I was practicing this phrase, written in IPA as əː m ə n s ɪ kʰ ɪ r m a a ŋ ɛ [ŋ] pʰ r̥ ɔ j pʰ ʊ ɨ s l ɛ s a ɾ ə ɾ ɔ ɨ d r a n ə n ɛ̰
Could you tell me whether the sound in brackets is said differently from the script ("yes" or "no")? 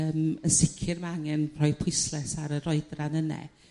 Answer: yes